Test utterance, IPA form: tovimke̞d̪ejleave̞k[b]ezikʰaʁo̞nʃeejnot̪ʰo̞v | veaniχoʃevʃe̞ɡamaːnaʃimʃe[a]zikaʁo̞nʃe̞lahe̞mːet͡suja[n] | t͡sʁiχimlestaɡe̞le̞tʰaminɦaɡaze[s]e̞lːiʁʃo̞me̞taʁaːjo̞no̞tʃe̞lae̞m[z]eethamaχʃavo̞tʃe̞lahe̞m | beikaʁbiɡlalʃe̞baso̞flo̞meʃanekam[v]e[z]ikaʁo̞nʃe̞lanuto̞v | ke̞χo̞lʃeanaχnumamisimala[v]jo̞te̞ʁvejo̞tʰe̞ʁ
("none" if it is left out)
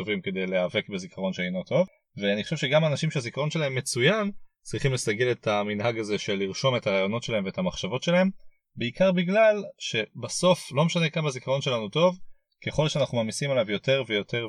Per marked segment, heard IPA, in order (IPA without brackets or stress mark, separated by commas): b, a, n, ʃ, v, b, z, v